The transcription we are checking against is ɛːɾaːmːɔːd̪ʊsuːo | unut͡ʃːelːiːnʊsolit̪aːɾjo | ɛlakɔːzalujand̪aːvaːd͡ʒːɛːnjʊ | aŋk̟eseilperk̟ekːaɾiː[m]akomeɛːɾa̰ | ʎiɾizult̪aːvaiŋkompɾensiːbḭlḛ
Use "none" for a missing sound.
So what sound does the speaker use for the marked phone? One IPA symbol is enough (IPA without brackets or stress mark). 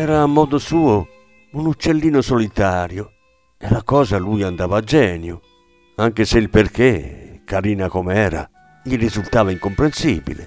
n